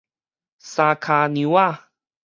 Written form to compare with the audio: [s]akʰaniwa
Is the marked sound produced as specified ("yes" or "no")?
yes